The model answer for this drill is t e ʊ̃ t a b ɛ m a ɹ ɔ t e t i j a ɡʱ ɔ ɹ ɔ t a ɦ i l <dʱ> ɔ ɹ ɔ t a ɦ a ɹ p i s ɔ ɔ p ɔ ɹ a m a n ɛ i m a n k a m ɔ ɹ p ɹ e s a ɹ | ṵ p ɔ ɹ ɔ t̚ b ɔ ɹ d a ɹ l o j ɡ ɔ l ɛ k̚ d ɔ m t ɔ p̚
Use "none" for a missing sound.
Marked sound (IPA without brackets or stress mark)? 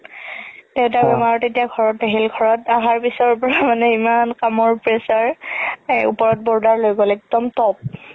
ɡʱ